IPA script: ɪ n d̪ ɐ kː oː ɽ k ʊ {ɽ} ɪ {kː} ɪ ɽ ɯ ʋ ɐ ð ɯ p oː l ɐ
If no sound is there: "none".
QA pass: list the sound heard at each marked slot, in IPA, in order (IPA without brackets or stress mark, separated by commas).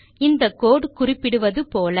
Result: r, pː